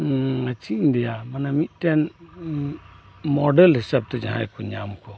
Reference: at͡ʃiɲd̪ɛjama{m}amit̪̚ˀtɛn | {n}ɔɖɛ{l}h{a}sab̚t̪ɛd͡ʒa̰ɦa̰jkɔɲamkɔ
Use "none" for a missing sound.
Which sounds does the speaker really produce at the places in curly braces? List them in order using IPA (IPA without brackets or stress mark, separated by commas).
n, m, l, i